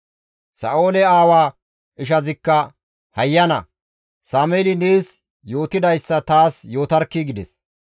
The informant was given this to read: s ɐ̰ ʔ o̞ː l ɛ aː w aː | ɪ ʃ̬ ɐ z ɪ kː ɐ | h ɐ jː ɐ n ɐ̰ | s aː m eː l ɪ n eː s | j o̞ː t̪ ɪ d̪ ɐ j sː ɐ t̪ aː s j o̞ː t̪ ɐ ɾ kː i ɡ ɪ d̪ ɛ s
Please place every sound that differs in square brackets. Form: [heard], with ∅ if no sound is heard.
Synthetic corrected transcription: s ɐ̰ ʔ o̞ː l ɛ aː w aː | ɪ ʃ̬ ɐ z ɪ kː ɐ | h ɐ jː ɐ n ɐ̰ | s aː m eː l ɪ n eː s | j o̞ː t̪ ɪ d̪ ɐ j sː ɐ t̪ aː s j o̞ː t̪ ɐ ɾ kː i ɡ ɪ d̪ ɛ s